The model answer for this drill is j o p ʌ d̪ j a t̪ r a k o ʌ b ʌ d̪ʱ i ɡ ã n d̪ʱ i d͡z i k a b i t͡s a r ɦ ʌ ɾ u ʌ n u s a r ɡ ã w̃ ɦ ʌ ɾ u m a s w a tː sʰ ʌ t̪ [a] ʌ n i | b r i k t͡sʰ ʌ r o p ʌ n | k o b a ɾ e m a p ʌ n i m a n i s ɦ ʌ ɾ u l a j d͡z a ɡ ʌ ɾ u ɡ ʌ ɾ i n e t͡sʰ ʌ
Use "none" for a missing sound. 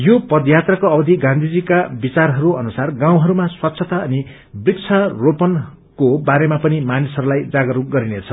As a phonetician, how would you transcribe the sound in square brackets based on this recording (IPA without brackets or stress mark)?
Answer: a